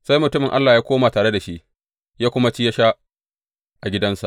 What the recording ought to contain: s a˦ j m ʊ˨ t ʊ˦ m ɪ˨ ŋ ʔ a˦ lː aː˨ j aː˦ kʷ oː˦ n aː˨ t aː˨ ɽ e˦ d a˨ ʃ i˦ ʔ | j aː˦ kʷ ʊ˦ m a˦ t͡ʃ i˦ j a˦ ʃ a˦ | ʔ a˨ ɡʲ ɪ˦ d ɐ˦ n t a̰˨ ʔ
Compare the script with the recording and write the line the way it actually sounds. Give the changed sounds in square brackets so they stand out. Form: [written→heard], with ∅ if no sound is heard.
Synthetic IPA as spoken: s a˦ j m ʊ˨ t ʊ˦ m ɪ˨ ŋ ʔ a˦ lː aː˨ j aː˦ kʷ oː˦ [n→m] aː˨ t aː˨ ɽ e˦ d a˨ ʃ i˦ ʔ | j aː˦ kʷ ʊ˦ m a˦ t͡ʃ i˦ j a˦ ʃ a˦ | ʔ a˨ ɡʲ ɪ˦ d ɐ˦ n [t→s] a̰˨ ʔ